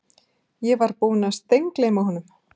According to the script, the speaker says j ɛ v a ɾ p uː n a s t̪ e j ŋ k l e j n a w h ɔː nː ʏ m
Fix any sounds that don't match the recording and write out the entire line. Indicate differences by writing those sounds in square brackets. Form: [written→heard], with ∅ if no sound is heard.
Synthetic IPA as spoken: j ɛ v a ɾ p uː n a s t̪ e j ŋ k l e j [n→m] a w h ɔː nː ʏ m